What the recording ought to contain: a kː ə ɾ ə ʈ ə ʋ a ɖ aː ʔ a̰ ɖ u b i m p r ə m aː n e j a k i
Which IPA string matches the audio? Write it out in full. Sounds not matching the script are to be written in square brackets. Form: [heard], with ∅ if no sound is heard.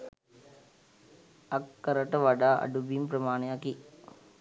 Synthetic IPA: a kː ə ɾ ə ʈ ə ʋ a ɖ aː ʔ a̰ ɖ u b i m p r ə m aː n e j a k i